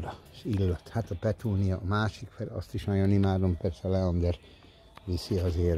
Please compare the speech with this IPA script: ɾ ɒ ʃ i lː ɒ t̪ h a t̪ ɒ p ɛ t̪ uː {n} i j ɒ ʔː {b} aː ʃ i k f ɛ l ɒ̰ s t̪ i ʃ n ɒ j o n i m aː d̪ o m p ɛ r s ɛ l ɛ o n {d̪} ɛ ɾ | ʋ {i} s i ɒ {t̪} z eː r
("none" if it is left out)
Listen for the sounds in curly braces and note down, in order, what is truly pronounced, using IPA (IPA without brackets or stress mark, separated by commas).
n, m, d̪, i, none